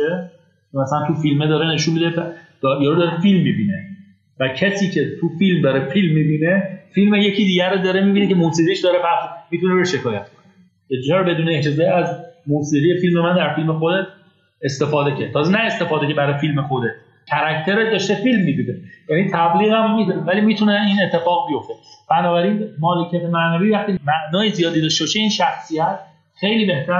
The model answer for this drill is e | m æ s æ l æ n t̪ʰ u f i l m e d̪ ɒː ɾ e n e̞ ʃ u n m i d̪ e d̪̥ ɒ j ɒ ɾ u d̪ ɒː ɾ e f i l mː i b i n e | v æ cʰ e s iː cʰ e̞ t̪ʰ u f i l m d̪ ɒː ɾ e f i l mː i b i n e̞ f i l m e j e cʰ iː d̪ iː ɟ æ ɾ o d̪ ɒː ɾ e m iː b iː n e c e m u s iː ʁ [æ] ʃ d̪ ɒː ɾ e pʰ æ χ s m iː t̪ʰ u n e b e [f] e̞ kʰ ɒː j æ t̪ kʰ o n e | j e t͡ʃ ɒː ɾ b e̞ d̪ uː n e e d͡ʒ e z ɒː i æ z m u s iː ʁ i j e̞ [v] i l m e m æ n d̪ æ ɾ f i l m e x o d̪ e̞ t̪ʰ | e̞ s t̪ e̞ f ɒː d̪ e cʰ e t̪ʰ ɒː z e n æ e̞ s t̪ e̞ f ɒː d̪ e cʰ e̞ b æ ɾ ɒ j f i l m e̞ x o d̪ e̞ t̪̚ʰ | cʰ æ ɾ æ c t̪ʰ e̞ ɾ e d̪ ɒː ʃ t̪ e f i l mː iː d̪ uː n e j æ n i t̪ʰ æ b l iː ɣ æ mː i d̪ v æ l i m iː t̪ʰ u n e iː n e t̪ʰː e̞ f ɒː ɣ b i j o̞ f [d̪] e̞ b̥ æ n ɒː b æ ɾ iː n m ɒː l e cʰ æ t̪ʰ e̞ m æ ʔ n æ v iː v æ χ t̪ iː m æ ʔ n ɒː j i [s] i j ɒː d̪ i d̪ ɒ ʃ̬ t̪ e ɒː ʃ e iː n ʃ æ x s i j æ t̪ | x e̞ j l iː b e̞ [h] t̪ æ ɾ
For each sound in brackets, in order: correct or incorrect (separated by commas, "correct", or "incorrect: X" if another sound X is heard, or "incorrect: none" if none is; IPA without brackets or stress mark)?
incorrect: i, incorrect: ʃ, incorrect: f, incorrect: t̪, incorrect: z, correct